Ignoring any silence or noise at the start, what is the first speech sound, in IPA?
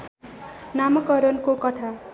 n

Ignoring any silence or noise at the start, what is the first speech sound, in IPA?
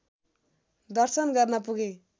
d̪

